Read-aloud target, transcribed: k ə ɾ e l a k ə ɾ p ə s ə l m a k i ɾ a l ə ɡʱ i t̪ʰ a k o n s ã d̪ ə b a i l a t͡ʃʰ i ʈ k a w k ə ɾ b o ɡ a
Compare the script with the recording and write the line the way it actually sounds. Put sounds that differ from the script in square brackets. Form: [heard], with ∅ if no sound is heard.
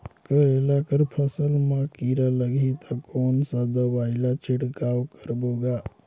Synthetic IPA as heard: k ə ɾ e l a k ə ɾ [pʰ] ə s ə l m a k i ɾ a l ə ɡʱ i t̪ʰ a k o n s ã d̪ ə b a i l a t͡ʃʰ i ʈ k a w k ə ɾ b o ɡ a

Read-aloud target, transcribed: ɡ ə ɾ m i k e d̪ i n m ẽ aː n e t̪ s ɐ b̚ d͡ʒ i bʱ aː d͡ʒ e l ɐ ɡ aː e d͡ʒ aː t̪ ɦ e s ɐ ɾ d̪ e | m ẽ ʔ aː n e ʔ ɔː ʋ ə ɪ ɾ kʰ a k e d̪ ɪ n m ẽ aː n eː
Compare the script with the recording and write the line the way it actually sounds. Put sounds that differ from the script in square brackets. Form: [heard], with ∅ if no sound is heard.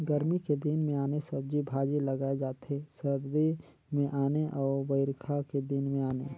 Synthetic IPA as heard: ɡ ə ɾ m i k e d̪ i n m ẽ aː n e [∅] s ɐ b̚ d͡ʒ i bʱ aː d͡ʒ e l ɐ ɡ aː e d͡ʒ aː t̪ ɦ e s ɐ ɾ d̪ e | m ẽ ʔ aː n e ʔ ɔː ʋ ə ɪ ɾ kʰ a k e d̪ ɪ n m ẽ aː n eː

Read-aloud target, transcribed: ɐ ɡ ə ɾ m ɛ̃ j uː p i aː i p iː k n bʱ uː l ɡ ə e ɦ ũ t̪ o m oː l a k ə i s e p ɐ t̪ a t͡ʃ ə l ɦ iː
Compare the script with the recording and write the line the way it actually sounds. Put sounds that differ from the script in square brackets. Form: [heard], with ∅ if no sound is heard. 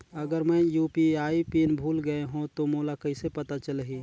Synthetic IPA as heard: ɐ ɡ ə ɾ m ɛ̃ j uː p i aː i p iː [∅] n bʱ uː l ɡ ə e ɦ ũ t̪ o m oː l a k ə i s e p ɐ t̪ a t͡ʃ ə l ɦ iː

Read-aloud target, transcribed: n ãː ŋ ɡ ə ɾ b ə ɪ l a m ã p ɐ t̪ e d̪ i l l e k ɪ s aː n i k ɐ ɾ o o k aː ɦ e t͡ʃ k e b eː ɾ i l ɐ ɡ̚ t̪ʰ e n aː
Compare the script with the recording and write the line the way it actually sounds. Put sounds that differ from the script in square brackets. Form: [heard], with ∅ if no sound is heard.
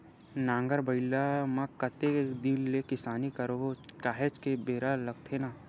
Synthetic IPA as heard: n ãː ŋ ɡ ə ɾ b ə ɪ l a m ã [k] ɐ t̪ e d̪ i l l e k ɪ s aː n i k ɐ ɾ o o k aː ɦ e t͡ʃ k e b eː ɾ [a] l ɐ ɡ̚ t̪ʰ e n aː

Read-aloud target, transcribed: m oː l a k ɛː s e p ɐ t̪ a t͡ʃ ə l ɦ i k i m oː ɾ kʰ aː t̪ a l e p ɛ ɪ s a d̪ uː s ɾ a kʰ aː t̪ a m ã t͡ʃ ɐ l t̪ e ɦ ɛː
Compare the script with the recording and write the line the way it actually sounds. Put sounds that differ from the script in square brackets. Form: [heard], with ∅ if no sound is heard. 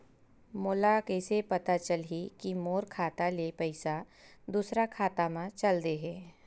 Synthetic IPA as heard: m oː l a k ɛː s e p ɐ t̪ a t͡ʃ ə l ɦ i k i m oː ɾ kʰ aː t̪ a l e p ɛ ɪ s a d̪ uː s ɾ a kʰ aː t̪ a m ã t͡ʃ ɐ l [d̪] e ɦ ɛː

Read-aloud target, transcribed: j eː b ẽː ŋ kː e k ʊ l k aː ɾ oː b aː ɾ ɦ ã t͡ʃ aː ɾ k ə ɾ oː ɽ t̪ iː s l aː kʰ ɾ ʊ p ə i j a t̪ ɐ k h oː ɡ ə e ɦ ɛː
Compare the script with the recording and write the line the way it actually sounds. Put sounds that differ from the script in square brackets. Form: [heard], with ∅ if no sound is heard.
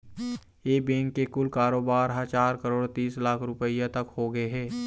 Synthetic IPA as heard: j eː b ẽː ŋ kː e k ʊ l k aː ɾ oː b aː ɾ ɦ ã t͡ʃ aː ɾ k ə ɾ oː ɽ t̪ iː s l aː kʰ ɾ ʊ p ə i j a t̪ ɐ k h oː ɡ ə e ɦ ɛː

